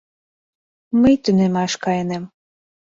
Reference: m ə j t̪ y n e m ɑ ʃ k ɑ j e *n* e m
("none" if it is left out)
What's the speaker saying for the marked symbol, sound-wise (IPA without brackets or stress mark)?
n